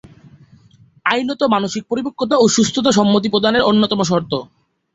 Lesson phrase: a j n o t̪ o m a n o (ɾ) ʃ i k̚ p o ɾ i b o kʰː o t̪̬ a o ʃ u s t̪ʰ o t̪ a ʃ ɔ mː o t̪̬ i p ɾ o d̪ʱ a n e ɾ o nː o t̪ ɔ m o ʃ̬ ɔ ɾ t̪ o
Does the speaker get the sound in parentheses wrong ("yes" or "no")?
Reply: yes